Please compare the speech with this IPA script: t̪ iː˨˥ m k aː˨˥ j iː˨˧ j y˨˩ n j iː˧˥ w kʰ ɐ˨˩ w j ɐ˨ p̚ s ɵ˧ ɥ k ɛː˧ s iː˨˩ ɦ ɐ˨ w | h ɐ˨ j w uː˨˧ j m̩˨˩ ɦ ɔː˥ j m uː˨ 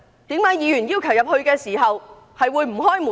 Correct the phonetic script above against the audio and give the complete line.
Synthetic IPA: t̪ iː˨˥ m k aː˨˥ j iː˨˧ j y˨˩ n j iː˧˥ w kʰ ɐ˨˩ w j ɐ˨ p̚ h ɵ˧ ɥ k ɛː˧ s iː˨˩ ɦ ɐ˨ w | h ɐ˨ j w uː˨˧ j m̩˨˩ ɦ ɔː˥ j m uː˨